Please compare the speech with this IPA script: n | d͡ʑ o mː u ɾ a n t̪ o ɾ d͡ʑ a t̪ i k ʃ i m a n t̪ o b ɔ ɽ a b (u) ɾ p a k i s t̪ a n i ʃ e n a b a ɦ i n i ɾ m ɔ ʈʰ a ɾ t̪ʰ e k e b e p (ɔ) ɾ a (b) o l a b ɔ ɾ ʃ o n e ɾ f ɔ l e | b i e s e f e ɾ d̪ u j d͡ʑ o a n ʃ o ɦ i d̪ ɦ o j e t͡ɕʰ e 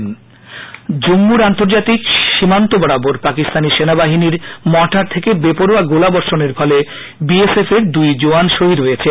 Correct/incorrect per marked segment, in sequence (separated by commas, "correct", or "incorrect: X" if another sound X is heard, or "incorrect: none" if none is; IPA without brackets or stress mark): incorrect: o, incorrect: o, incorrect: ɡ